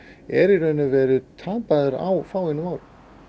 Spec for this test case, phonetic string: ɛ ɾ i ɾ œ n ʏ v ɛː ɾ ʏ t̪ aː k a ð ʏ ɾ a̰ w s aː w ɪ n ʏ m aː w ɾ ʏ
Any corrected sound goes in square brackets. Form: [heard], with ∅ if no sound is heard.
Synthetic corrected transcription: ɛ ɾ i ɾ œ n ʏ v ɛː ɾ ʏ [t̪ʰ] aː [p] a ð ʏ ɾ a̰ w [f] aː w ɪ n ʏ m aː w ɾ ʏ